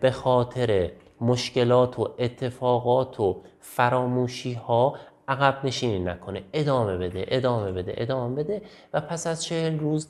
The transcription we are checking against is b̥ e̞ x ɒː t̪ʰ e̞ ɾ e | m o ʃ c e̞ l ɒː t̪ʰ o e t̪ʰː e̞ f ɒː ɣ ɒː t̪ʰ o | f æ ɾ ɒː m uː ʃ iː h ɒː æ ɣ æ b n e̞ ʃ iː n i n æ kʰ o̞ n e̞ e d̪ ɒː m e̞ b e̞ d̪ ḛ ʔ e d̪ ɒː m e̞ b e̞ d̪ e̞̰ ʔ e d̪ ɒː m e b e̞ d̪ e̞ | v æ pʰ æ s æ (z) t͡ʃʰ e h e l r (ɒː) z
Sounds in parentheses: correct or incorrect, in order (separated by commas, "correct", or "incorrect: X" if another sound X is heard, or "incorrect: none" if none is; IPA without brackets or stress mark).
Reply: correct, incorrect: uː